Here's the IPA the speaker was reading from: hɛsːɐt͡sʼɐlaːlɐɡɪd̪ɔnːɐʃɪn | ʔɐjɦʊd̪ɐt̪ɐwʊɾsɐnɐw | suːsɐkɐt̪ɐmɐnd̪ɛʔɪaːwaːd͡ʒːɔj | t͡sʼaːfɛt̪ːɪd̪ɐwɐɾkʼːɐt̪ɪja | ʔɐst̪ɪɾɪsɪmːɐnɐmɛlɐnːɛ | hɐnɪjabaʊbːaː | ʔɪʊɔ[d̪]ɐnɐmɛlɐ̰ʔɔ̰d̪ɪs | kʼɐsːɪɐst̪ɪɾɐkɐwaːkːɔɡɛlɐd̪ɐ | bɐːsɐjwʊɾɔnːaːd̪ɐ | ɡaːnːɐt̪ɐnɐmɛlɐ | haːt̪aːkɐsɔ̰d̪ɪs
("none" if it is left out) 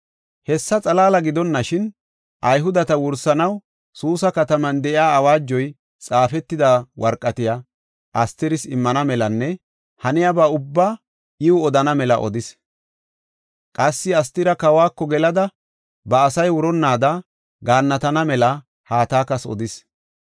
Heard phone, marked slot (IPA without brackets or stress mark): d̪